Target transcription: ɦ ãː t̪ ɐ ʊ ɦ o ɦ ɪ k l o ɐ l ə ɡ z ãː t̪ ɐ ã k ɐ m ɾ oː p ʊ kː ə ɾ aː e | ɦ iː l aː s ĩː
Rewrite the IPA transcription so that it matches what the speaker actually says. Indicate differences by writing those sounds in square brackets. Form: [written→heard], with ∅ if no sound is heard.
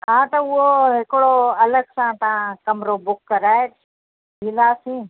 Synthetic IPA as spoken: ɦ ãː t̪ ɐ ʊ ɦ o ɦ ɪ k [l→ɽ] o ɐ l ə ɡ [z→s] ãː t̪ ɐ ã k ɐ m ɾ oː [p→b] ʊ kː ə ɾ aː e | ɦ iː l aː s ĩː